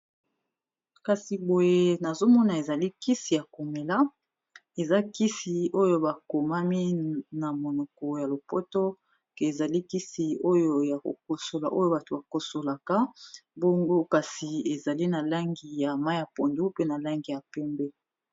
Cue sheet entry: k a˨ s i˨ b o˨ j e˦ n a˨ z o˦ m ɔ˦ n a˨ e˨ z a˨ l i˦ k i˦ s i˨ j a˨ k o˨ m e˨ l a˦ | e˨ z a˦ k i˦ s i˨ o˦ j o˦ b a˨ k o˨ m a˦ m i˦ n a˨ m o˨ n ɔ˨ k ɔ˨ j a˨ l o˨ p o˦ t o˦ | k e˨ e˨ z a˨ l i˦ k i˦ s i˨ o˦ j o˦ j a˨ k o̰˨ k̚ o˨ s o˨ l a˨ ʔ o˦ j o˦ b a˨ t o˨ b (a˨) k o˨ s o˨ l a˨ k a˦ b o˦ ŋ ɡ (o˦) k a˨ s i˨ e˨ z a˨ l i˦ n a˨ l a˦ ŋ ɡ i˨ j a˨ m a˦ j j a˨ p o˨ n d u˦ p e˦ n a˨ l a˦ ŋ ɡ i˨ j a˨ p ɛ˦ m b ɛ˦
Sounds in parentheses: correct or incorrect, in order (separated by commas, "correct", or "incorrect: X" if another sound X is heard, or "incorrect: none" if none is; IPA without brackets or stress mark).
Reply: correct, correct